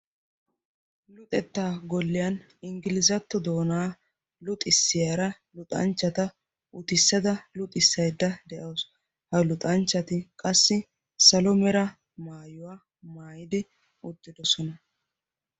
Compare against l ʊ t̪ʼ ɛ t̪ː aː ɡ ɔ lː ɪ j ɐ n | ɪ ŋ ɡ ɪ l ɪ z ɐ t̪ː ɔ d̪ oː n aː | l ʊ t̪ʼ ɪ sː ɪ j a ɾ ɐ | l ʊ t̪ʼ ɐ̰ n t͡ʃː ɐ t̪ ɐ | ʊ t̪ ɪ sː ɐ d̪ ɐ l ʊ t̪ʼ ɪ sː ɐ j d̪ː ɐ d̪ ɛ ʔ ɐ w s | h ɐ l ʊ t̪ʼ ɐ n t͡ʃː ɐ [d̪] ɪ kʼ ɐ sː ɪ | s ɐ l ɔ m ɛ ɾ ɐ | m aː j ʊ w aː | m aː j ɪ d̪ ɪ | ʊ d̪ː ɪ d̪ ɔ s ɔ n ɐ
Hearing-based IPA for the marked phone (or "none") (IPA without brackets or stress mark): t̪